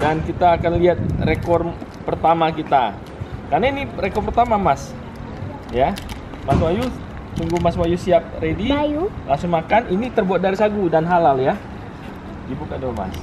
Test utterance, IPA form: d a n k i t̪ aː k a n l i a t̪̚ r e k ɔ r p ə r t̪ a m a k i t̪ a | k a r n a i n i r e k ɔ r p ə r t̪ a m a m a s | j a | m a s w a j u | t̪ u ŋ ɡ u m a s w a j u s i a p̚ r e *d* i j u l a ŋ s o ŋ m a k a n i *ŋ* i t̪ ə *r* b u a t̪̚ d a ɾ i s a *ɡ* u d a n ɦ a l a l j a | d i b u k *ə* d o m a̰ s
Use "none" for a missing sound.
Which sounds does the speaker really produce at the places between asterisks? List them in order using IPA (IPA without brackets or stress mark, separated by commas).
d, n, r, ɡ, a